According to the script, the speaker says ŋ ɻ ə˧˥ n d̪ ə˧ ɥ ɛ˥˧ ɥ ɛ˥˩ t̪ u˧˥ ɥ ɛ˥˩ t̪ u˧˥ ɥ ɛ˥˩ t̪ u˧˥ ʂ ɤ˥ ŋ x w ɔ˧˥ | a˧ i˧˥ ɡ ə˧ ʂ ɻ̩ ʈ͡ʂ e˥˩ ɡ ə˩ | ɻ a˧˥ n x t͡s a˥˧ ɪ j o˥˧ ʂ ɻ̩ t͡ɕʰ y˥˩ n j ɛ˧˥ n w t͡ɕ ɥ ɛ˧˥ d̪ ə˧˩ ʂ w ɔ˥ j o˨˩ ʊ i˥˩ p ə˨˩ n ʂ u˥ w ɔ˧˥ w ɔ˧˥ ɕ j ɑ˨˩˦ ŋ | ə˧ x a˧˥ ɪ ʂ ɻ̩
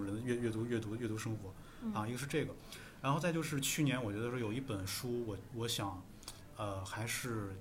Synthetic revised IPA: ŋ ɻ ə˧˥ n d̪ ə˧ ɥ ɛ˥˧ ɥ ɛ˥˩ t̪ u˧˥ ɥ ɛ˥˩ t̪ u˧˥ ɥ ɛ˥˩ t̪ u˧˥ ʂ ɤ˥ ŋ x w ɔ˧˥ | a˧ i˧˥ ɡ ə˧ ʂ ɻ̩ ʈ͡ʂ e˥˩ ɡ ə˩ | ɻ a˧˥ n x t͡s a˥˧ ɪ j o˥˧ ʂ ɻ̩ t͡ɕʰ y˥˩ n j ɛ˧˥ n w t͡ɕ ɥ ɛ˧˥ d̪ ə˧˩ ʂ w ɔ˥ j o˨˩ ʊ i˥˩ p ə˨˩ n ʂ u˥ w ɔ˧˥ w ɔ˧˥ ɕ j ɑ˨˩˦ ŋ | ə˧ x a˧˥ ɪ ʂ ɻ̩